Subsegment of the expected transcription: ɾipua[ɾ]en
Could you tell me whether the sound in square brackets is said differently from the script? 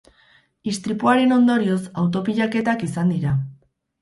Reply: no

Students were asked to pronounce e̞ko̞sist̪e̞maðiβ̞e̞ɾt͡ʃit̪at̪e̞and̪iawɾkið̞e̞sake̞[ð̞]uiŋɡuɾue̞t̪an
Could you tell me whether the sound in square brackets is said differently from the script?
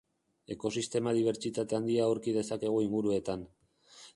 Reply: yes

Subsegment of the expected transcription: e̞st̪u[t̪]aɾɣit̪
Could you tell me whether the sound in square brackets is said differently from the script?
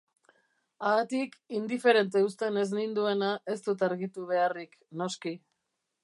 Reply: no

